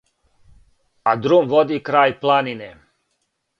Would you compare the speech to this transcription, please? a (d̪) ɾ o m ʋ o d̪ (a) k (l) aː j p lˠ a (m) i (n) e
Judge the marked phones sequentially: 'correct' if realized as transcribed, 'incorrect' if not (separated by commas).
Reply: correct, incorrect, incorrect, incorrect, correct